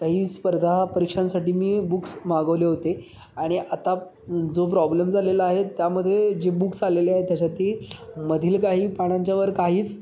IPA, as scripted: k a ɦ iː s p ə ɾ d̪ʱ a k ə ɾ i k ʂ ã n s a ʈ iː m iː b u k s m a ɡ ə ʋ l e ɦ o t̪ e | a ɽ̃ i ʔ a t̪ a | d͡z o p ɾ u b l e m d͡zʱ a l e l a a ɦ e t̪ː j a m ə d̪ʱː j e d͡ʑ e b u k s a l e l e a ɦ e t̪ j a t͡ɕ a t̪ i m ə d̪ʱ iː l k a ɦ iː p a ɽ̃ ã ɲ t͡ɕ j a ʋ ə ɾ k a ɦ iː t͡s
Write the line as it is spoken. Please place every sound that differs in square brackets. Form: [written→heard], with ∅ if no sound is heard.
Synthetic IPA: k a ɦ iː s p ə ɾ d̪ʱ a [k→p] ə ɾ i k ʂ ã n s a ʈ iː m iː b u k s m a ɡ ə ʋ l e ɦ o t̪ e | a ɽ̃ i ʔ a t̪ a | d͡z o p ɾ [u→ɔ] b l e m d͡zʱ a l e l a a ɦ e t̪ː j a m ə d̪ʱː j e d͡ʑ e b u k s a l e l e a ɦ e t̪ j a t͡ɕ a t̪ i m ə d̪ʱ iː l k a ɦ iː p a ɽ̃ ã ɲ t͡ɕ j a ʋ ə ɾ k a ɦ iː t͡s